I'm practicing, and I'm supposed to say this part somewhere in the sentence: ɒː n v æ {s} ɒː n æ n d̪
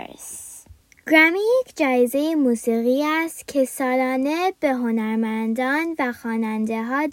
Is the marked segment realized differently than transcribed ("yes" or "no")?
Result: yes